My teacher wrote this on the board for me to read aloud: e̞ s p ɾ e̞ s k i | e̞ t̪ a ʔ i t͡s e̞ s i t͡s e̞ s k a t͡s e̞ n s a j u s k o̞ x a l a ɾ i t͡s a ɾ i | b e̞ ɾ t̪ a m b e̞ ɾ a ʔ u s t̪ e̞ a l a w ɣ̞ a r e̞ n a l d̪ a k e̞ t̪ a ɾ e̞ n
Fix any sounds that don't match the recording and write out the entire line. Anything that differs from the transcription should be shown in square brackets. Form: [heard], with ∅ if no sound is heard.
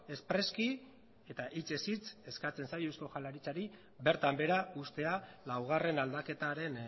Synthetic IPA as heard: e̞ s p ɾ e̞ s k i | e̞ t̪ a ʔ i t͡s e̞ s i t͡s e̞ s k a t͡s e̞ n s a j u s k o̞ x a l a ɾ i t͡s a ɾ i | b e̞ ɾ t̪ a m b e̞ ɾ a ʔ u s t̪ e̞ a l a w ɣ̞ a r e̞ n a l d̪ a k e̞ t̪ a ɾ e̞ n

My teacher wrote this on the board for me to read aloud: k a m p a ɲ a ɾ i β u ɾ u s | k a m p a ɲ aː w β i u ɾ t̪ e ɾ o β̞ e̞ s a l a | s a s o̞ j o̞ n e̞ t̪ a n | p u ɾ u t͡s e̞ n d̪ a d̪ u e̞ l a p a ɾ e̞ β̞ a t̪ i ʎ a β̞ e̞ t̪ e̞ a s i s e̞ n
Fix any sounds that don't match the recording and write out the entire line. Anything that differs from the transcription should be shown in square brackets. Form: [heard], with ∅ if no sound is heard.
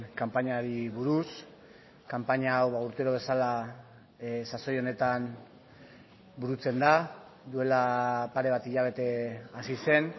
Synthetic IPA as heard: k a m p a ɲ a ɾ i β u ɾ u s | k a m p a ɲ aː w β [a] u ɾ t̪ e ɾ o β̞ e̞ s a l a | s a s o̞ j o̞ n e̞ t̪ a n | [b] u ɾ u t͡s e̞ n d̪ a d̪ u e̞ l a p a ɾ e̞ β̞ a t̪ i ʎ a β̞ e̞ t̪ e̞ a s i s e̞ n

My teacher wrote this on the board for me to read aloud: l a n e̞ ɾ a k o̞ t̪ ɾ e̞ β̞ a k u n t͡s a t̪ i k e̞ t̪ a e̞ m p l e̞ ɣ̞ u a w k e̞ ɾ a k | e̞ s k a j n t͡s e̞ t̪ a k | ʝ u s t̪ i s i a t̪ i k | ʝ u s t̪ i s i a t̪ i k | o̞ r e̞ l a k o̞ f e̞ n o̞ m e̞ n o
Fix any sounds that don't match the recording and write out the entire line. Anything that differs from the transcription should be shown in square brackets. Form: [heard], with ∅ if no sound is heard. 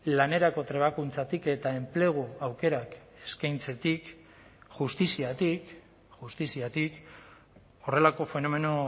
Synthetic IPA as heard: l a n e̞ ɾ a k o̞ t̪ ɾ e̞ β̞ a k u n t͡s a t̪ i k e̞ t̪ a e̞ m p l e̞ ɣ̞ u a w k e̞ ɾ a k | e̞ s k a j n t͡s e̞ t̪ [i] k | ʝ u s t̪ i s i a t̪ i k | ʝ u s t̪ i s i a t̪ i k | o̞ r e̞ l a k o̞ f e̞ n o̞ m e̞ n o

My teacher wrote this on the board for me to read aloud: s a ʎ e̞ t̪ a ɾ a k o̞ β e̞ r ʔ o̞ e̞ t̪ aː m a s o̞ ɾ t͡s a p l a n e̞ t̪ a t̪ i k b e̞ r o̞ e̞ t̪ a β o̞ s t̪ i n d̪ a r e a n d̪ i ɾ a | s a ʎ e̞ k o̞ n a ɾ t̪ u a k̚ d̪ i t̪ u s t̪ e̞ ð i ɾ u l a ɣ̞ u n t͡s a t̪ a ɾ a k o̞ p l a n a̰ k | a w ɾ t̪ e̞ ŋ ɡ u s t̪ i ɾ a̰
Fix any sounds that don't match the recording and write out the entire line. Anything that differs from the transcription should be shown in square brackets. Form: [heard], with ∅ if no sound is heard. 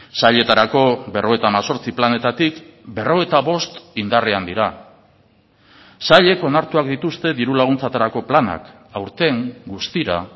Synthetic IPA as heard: s a ʎ e̞ t̪ a ɾ a k o̞ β e̞ r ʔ o̞ e̞ t̪ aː m a s o̞ ɾ t͡s [i] p l a n e̞ t̪ a t̪ i k b e̞ r o̞ e̞ t̪ a β o̞ s t̪ i n d̪ a r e a n d̪ i ɾ a | s a ʎ e̞ k o̞ n a ɾ t̪ u a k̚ d̪ i t̪ u s t̪ e̞ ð i ɾ u l a ɣ̞ u n t͡s a t̪ a ɾ a k o̞ p l a n a̰ k | a w ɾ t̪ e̞ ŋ ɡ u s t̪ i ɾ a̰

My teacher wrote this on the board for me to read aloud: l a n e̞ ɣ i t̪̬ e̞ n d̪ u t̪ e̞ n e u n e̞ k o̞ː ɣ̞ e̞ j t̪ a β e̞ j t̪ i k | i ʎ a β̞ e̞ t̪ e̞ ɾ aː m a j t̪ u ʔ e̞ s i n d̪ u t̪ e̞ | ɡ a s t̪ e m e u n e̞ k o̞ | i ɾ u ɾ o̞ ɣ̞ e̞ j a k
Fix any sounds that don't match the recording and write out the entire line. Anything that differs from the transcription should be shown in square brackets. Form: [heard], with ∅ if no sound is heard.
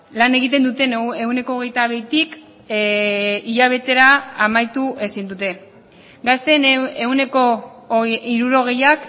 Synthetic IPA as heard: l a n e̞ ɣ i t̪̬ e̞ n d̪ u t̪ e̞ n e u n e̞ k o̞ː ɣ̞ e̞ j t̪ a β e̞ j t̪ i k | i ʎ a β̞ e̞ t̪ e̞ ɾ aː m a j t̪ u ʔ e̞ s i n d̪ u t̪ e̞ | ɡ a s t̪ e [n] e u n e̞ k o̞ | i ɾ u ɾ o̞ ɣ̞ e̞ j a k

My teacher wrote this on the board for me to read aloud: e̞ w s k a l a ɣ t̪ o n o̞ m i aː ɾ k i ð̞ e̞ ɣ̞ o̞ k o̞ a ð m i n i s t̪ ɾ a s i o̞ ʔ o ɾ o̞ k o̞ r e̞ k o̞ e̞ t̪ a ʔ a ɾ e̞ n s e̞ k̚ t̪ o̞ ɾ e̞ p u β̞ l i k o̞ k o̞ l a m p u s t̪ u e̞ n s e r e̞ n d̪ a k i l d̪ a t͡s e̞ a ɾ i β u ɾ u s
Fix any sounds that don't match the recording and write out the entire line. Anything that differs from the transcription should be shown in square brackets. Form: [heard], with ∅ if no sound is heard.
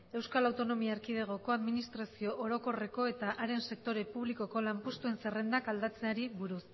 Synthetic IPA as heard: e̞ w s k a l a [w] t̪ o n o̞ m i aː ɾ k i ð̞ e̞ ɣ̞ o̞ k o̞ a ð m i n i s t̪ ɾ a s i o̞ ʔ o ɾ o̞ k o̞ r e̞ k o̞ e̞ t̪ a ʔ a ɾ e̞ n s e̞ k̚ t̪ o̞ ɾ e̞ p u β̞ l i k o̞ k o̞ l a m p u s t̪ u e̞ n s e r e̞ n d̪ a k [a] l d̪ a t͡s e̞ a ɾ i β u ɾ u s

